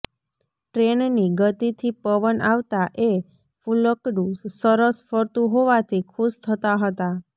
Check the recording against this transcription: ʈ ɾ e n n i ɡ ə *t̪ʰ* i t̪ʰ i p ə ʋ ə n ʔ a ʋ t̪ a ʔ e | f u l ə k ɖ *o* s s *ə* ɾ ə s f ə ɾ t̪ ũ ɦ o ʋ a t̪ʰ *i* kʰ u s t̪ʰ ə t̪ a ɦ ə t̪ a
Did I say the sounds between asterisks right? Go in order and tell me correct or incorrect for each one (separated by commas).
incorrect, incorrect, correct, correct